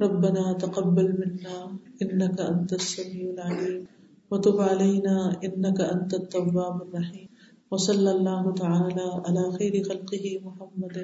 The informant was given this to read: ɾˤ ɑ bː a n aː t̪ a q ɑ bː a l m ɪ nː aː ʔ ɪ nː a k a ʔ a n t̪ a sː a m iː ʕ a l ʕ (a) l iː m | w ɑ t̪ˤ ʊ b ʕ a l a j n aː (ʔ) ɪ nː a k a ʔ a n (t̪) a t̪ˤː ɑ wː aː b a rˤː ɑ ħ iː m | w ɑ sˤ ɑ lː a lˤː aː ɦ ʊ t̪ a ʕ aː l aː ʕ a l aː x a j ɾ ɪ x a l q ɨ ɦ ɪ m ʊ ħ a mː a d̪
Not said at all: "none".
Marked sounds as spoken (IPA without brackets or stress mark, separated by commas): a, ʔ, t̪